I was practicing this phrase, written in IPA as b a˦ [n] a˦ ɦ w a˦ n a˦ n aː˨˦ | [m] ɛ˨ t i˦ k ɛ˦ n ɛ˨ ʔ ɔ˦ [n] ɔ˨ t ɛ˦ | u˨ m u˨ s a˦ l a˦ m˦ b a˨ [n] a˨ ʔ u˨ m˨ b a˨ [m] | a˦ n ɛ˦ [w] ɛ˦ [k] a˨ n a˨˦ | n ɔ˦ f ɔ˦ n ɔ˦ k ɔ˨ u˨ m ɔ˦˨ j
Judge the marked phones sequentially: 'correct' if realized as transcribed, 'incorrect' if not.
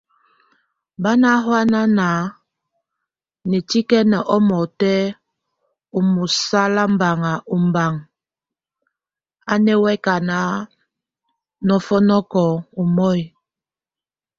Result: correct, incorrect, incorrect, incorrect, incorrect, correct, correct

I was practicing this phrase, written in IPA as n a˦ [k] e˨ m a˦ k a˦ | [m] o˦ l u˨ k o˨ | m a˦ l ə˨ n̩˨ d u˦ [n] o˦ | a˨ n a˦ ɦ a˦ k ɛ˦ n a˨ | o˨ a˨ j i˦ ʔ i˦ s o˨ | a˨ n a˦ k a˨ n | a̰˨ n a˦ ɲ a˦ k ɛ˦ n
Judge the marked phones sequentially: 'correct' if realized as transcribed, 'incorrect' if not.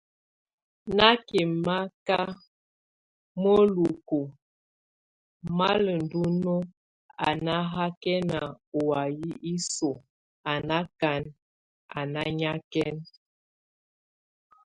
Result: correct, correct, correct

